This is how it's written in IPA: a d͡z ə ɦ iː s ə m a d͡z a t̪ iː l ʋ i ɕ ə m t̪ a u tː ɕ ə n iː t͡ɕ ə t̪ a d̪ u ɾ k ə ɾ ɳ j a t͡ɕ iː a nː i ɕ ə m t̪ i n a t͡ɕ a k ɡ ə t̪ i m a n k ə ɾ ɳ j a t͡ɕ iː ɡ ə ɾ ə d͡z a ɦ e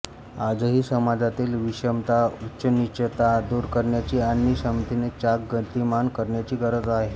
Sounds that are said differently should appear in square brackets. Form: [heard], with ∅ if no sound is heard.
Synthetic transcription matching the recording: a d͡z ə ɦ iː s ə m a d͡z a t̪ iː l ʋ i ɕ ə m t̪ a u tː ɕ ə n [i] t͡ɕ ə t̪ a d̪ u ɾ k ə ɾ ɳ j a t͡ɕ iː a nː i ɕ ə m t̪ i n [e] t͡ɕ a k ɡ ə t̪ i m a n k ə ɾ ɳ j a t͡ɕ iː ɡ ə ɾ ə d͡z a ɦ e